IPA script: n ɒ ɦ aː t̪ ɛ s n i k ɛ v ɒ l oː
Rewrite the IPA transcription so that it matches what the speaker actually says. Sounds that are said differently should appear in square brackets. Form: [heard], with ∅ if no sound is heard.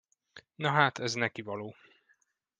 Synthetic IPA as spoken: n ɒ ɦ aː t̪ ɛ [z] n [ɛ] k [i] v ɒ l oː